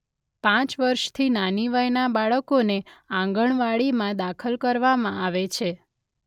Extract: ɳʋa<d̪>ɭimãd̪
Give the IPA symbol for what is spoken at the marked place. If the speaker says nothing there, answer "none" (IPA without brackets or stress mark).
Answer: none